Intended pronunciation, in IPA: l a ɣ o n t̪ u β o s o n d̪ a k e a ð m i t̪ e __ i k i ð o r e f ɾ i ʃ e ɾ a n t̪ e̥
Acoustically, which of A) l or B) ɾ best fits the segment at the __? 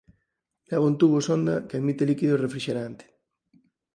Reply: A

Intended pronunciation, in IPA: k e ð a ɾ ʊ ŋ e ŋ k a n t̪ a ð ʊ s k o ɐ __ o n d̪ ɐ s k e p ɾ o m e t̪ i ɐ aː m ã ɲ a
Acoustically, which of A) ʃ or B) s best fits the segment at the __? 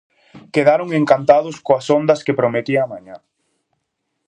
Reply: B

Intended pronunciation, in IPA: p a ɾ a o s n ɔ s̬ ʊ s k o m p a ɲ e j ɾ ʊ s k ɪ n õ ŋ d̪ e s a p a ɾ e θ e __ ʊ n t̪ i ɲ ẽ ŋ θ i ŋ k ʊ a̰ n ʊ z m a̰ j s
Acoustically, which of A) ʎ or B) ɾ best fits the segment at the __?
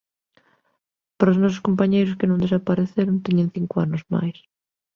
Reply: B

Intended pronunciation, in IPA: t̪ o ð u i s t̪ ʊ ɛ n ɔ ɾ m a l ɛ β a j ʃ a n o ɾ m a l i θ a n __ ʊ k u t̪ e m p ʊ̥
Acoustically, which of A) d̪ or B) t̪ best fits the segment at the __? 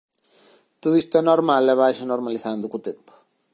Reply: A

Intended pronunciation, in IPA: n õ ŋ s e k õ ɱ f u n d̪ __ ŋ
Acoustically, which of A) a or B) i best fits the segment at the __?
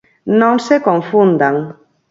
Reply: A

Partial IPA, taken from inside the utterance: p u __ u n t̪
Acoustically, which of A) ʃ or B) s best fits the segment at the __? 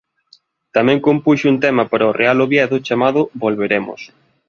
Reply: A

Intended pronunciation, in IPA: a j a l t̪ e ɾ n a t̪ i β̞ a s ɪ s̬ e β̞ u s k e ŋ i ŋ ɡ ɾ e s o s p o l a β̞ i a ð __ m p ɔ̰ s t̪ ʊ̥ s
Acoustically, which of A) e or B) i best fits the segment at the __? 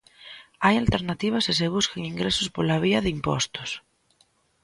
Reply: B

